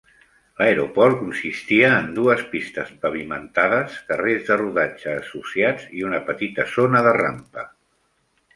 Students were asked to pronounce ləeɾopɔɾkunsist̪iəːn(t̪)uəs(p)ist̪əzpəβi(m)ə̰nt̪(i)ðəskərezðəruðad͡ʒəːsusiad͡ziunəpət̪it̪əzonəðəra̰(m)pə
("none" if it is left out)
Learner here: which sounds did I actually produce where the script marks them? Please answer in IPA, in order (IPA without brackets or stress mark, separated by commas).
d̪, p, m, a, m